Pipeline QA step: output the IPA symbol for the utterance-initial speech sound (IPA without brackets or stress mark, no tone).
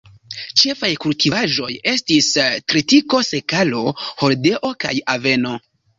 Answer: t͡ʃ